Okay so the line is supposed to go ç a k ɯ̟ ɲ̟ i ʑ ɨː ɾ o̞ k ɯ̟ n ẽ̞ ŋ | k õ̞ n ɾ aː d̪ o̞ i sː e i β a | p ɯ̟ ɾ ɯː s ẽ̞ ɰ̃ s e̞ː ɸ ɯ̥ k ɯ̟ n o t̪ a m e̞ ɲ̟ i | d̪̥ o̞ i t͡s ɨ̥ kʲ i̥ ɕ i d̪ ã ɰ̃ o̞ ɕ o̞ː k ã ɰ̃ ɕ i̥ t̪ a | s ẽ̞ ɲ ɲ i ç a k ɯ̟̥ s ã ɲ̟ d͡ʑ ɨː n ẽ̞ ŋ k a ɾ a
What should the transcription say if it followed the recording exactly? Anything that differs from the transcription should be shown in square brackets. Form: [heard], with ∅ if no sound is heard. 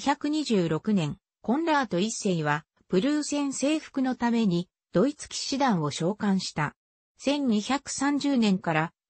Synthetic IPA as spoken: ç a k ɯ̟ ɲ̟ i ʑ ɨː ɾ o̞ k ɯ̟ n ẽ̞ ŋ | k õ̞ n ɾ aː [t̪] o̞ i sː e i β a | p ɯ̟ ɾ ɯː s ẽ̞ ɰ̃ s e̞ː ɸ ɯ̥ k ɯ̟ n o t̪ a m e̞ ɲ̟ i | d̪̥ o̞ i t͡s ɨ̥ kʲ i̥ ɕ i d̪ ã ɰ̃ o̞ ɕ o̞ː k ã ɰ̃ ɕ i̥ t̪ a | s ẽ̞ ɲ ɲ i ç a k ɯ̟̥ s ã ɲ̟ d͡ʑ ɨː n ẽ̞ ŋ k a ɾ a